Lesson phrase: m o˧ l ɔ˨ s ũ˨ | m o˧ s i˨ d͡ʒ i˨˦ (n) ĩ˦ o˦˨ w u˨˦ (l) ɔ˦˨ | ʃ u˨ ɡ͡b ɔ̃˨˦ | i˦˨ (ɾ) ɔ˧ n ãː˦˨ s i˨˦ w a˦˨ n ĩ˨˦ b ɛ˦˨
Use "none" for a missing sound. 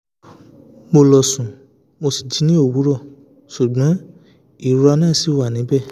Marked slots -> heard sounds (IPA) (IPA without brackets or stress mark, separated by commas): n, ɾ, ɾ